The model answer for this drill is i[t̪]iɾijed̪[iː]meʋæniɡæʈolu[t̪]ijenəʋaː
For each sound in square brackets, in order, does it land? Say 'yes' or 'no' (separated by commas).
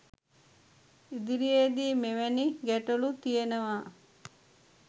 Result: no, yes, yes